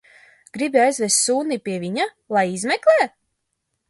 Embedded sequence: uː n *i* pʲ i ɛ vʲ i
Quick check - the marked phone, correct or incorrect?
correct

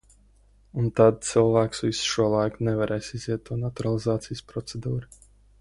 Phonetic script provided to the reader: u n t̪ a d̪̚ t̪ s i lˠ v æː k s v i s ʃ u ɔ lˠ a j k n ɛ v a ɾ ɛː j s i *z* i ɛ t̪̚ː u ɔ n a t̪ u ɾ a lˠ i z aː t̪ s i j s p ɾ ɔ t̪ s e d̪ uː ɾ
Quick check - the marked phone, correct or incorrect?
correct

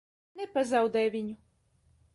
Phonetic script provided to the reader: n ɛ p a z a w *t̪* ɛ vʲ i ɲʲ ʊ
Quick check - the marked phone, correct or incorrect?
incorrect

